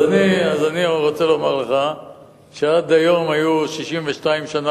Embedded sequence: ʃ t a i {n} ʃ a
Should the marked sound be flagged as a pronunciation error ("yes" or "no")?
yes